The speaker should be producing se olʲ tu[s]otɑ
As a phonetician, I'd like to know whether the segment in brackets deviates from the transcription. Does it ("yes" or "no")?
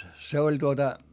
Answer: yes